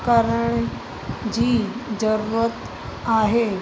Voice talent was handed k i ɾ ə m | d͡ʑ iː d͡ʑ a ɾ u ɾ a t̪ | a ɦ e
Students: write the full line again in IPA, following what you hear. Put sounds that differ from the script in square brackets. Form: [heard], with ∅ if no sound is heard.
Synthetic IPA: k [a] ɾ ə [ɳ] | d͡ʑ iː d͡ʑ [ə] ɾ u ɾ [ə] t̪ | a ɦ e

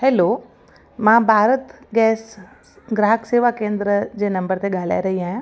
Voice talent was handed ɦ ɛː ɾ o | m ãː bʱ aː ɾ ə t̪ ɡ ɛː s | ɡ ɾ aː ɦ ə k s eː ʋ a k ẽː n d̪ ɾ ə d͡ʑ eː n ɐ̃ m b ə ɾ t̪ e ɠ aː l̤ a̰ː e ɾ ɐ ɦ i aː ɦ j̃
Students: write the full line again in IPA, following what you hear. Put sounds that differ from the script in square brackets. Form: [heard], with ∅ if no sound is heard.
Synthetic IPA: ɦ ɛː [l] o | m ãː bʱ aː ɾ ə t̪ ɡ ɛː s | ɡ ɾ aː ɦ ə k s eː ʋ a k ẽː n d̪ ɾ ə d͡ʑ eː n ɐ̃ m b ə ɾ t̪ e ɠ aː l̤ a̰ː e ɾ ɐ ɦ i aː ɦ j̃

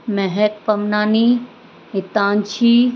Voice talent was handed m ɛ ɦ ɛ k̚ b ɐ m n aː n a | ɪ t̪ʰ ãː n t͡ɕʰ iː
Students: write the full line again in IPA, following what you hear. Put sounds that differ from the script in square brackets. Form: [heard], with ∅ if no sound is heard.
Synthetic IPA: m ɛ ɦ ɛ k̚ [p] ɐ m n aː n [i] | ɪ [t̪] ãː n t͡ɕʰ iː

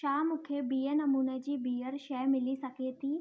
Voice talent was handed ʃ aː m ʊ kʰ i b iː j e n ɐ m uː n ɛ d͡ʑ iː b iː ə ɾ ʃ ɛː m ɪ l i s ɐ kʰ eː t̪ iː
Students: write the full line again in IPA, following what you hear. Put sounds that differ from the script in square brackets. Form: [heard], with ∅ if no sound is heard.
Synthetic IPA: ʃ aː m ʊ kʰ [e] b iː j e n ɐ m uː n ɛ d͡ʑ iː b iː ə ɾ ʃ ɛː m ɪ l i s ɐ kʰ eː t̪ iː

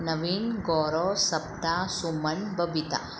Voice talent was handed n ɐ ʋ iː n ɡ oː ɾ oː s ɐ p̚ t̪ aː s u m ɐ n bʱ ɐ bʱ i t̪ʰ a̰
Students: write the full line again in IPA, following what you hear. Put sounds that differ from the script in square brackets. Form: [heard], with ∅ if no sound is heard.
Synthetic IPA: n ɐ ʋ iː n ɡ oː ɾ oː s ɐ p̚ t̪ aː s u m ɐ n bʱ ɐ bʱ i [t̪] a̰

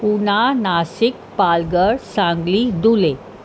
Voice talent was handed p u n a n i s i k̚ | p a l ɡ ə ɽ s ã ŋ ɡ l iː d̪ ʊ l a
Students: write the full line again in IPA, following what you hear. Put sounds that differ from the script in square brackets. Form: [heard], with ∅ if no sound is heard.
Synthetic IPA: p u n a n [a] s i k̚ | p a l ɡ ə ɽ s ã ŋ ɡ l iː d̪ [u] l [e]

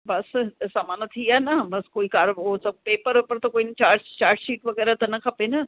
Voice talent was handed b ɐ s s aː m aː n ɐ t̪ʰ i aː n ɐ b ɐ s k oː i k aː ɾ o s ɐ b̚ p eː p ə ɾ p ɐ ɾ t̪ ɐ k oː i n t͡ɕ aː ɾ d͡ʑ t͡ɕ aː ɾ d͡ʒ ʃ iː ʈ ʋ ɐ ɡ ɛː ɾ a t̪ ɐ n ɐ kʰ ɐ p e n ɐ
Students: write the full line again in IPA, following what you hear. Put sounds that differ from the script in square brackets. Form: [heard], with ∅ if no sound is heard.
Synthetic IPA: b ɐ s s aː m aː n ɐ t̪ʰ i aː n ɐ b ɐ s k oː i k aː ɾ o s ɐ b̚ p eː p ə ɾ p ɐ ɾ t̪ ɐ k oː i n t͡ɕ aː ɾ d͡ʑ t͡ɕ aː ɾ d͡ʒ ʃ iː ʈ ʋ ɐ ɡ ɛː ɾ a t̪ ɐ n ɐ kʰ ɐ p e n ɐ

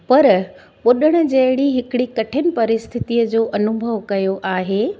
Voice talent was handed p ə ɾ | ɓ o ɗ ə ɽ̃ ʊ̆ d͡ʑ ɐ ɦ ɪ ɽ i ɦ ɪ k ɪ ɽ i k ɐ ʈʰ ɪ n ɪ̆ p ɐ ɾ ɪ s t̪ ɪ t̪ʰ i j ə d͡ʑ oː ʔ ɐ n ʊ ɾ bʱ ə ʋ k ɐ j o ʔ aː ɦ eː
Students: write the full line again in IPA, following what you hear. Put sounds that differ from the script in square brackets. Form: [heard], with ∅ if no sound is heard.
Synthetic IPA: p [ɐ] ɾ | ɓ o ɗ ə ɽ̃ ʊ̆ d͡ʑ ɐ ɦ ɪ ɽ i ɦ ɪ k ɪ ɽ i k ɐ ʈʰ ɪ n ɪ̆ p ɐ ɾ ɪ s [t̪ʰ] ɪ [t̪] i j ə d͡ʑ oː ʔ ɐ n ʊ [∅] bʱ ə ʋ k ɐ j o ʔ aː ɦ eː

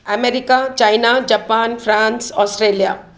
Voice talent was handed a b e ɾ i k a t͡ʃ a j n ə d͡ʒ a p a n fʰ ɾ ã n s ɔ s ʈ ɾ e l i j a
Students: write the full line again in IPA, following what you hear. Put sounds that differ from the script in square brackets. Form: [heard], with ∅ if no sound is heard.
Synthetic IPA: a [m] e ɾ i k a t͡ʃ a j n [a] d͡ʒ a p a n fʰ ɾ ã n s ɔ s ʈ ɾ e l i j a

